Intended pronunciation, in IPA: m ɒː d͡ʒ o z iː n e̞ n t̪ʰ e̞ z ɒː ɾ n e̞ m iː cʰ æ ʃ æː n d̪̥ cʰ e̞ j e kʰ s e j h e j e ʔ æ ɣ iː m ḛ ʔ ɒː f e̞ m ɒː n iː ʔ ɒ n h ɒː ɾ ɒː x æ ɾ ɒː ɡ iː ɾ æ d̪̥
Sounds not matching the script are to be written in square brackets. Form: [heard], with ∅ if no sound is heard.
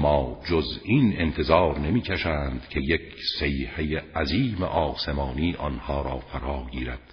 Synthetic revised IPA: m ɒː d͡ʒ o z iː n e̞ n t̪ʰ e̞ z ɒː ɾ n e̞ m iː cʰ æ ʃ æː n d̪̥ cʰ e̞ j e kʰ s e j h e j e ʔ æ [z] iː m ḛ ʔ ɒː [s] e̞ m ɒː n iː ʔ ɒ n h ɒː ɾ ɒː [f] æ ɾ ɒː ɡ iː ɾ æ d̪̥